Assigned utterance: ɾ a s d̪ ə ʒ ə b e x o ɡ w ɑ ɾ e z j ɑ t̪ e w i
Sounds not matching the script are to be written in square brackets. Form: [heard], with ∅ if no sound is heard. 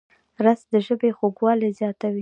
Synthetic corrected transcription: ɾ a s d̪ ə ʒ ə b e x o ɡ w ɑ [l] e z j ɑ t̪ [a] w i